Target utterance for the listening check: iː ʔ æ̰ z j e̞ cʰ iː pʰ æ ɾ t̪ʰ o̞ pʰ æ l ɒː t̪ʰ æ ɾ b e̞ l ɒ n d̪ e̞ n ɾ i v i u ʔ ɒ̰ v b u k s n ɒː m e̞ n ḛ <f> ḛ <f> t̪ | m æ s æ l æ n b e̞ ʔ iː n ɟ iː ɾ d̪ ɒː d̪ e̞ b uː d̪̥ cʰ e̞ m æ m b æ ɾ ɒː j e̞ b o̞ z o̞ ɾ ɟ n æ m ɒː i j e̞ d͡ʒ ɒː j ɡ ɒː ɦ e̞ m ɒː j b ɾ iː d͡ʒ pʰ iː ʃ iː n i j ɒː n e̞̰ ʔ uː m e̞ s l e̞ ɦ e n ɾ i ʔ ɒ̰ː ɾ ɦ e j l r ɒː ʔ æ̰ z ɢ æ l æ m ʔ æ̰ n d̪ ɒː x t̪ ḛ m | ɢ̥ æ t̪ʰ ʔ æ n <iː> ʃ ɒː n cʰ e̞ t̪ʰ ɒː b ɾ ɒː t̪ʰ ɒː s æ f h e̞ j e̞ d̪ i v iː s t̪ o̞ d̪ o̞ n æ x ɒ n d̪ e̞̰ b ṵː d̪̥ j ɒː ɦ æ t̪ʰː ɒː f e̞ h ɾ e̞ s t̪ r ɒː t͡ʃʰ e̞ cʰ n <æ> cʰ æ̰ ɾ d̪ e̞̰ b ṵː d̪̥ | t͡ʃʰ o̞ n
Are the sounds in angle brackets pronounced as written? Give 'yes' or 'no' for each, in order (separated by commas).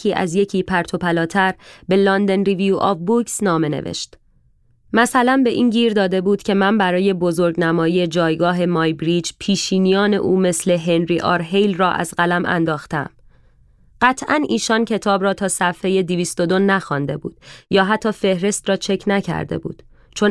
no, no, yes, yes